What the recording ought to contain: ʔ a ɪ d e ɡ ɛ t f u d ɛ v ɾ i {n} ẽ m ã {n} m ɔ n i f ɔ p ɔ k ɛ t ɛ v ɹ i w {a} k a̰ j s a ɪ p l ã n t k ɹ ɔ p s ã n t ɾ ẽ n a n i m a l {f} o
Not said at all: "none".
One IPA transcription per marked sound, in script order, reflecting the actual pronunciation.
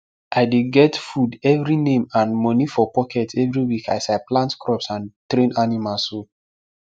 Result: n, n, i, s

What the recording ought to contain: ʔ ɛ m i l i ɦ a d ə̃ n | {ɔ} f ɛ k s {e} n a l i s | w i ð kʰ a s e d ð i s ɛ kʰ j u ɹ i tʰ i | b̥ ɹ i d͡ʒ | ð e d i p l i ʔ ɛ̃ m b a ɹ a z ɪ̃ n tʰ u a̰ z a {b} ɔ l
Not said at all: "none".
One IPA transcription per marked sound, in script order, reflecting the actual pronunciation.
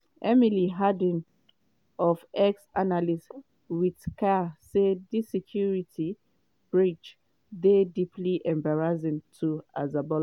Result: ɔ, a, b

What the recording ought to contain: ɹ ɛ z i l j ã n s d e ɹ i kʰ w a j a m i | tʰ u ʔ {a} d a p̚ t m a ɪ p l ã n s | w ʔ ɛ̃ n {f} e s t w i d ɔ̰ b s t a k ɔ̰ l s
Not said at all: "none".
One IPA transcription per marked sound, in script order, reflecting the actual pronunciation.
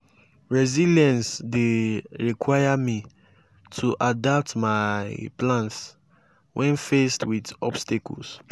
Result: a, f

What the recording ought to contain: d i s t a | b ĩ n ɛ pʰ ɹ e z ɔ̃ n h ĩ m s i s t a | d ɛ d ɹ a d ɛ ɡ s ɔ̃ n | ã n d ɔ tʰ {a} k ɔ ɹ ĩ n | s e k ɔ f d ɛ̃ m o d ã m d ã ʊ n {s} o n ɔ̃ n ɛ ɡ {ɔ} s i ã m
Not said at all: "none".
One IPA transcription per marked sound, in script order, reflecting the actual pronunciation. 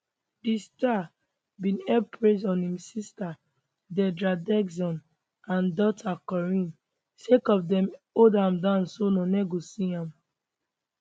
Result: a, s, o

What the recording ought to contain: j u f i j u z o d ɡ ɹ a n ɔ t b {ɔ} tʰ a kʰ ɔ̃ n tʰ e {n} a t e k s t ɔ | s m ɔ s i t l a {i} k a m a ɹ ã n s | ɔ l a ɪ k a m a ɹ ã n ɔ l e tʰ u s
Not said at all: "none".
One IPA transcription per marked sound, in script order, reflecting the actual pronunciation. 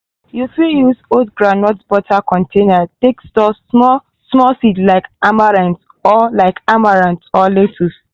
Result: ɔ, n, ɪ

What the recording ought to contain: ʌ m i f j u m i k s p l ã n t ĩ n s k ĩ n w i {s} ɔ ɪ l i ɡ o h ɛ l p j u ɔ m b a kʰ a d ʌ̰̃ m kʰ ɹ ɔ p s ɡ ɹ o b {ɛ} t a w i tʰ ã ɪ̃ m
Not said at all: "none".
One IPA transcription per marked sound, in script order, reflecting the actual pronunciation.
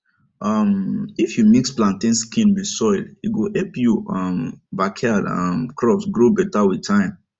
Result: s, ɛ

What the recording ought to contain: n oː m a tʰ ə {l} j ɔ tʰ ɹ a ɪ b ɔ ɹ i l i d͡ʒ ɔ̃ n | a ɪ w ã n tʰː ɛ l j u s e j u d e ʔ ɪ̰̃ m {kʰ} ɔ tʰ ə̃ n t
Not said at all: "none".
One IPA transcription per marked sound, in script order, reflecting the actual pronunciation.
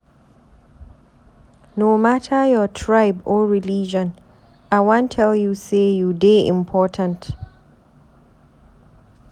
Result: none, pʰ

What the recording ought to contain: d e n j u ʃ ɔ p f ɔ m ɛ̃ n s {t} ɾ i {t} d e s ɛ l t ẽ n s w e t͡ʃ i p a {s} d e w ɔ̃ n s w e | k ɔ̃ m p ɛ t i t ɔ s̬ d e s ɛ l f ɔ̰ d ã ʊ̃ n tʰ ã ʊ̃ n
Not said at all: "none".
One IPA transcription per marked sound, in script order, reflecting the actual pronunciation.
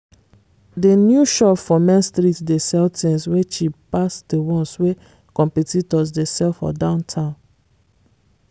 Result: t, t, s

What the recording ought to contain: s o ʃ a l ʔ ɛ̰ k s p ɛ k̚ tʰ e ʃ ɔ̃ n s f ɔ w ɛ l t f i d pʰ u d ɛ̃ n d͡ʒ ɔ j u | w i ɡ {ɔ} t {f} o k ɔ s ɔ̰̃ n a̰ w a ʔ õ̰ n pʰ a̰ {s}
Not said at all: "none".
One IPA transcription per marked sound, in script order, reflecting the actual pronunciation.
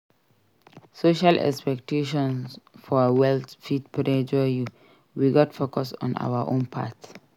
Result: ɔ, f, t

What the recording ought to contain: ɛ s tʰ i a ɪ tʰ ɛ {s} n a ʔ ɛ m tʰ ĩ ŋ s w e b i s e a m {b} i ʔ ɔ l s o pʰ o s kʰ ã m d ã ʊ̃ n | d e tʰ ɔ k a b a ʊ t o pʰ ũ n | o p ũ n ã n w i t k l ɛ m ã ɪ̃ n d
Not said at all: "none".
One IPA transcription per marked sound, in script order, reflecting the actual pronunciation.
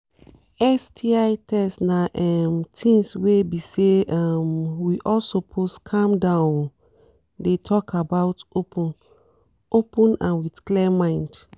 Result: s, w

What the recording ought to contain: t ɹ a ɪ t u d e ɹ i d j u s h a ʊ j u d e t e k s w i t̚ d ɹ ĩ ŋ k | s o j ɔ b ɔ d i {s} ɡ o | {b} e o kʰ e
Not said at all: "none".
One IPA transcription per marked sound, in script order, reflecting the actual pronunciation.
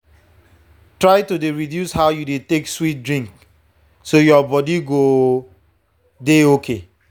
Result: none, d

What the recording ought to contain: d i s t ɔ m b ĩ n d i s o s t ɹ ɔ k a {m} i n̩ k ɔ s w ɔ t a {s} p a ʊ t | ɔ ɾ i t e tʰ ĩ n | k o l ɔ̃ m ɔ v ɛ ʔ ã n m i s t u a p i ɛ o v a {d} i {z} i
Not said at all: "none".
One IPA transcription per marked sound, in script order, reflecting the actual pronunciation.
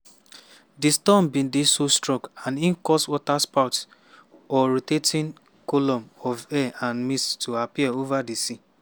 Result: n, s, d, s

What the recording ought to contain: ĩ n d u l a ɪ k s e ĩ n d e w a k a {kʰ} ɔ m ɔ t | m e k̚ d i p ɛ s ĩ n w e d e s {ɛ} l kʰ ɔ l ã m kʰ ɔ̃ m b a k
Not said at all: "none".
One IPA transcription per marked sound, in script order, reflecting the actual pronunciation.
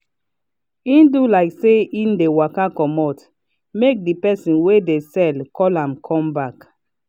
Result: k, ɛ

